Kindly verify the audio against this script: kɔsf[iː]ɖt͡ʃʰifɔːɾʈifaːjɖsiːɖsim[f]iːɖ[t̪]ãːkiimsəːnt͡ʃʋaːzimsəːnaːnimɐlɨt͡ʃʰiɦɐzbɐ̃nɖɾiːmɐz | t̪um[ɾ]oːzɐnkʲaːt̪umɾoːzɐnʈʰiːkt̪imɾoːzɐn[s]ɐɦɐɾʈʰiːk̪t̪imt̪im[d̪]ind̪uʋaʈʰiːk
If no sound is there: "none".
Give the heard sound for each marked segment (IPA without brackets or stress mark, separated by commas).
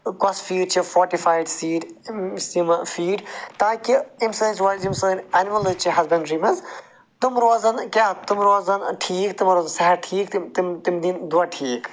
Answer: iː, f, t̪, ɾ, s, d̪